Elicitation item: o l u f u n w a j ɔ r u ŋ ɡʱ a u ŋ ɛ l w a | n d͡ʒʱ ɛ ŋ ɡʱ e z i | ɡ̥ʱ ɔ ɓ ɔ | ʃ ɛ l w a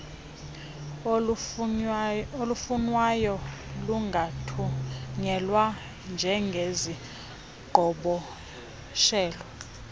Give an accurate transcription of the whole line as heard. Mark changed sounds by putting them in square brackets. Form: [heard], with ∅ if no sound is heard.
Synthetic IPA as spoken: o l u f u n w a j ɔ [l] u ŋ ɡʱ a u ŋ ɛ l w a | n d͡ʒʱ ɛ ŋ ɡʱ e z i | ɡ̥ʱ ɔ ɓ ɔ | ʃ [ɛː] l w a